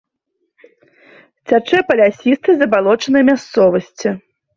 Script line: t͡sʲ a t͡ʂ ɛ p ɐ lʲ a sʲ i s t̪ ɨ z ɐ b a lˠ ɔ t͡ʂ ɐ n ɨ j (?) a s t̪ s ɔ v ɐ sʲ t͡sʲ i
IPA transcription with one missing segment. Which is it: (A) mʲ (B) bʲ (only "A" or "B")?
A